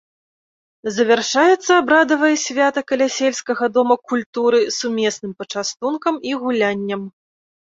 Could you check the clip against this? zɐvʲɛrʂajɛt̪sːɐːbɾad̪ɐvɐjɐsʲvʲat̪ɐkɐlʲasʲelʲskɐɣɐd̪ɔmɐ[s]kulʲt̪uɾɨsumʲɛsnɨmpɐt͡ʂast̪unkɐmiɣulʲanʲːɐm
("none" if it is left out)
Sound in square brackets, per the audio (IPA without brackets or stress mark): none